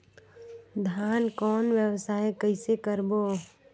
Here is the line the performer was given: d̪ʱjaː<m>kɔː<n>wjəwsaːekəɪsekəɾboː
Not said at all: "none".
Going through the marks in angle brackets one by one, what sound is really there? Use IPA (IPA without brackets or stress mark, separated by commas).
n, n